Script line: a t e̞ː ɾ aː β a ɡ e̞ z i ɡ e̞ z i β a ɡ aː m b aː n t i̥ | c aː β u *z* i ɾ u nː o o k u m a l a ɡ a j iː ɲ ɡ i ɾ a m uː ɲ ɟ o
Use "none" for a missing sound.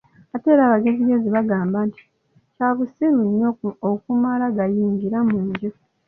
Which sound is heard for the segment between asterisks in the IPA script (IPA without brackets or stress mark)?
s